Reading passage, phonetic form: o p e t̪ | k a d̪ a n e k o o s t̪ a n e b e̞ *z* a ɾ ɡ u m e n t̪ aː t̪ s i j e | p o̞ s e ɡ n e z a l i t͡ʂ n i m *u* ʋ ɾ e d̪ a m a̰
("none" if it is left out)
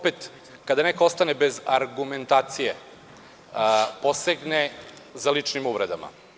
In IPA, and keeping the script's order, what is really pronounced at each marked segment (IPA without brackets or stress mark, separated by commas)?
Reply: z, u